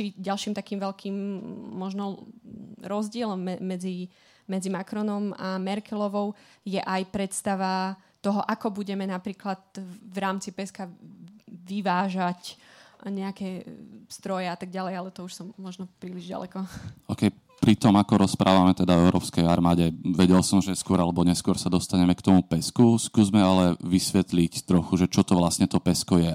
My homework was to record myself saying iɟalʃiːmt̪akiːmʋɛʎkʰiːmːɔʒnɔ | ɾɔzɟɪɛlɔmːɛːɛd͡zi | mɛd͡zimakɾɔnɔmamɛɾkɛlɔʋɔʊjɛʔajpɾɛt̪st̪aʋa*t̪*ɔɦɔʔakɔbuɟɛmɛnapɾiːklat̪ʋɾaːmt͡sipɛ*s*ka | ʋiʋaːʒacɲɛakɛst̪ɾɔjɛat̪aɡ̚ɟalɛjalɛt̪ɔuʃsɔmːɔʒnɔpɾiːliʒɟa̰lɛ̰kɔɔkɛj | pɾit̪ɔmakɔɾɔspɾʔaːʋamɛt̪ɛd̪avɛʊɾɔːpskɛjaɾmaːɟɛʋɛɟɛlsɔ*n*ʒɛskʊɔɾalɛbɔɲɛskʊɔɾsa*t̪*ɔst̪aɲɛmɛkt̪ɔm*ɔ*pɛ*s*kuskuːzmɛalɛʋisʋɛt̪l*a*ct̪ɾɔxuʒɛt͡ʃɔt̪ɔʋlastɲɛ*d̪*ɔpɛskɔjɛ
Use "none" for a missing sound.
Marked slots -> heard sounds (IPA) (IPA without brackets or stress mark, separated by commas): t̪, s, m, d̪, u, s, i, t̪